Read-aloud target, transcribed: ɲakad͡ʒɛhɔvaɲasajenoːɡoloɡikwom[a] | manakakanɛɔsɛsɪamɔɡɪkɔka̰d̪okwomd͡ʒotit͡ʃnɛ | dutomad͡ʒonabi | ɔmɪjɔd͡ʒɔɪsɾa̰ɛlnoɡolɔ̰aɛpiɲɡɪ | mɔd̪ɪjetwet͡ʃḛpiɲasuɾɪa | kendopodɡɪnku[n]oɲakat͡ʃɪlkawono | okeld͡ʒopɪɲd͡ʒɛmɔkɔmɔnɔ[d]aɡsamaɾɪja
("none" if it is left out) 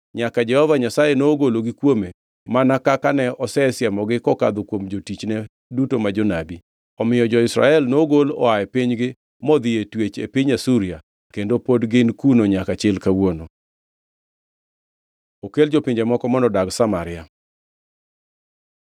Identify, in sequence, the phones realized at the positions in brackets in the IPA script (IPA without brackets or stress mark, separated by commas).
e, n, d